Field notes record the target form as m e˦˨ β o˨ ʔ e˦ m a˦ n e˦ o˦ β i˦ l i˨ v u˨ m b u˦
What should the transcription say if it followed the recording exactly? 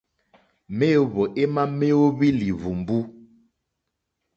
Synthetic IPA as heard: m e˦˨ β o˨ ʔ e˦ m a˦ m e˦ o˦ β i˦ l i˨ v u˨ m b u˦